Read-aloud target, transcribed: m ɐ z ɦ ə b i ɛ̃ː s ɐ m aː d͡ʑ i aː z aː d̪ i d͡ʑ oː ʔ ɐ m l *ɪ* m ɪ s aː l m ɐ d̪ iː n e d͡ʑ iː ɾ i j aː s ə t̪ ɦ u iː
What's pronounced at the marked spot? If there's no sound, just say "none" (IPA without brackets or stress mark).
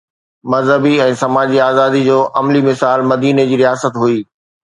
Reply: i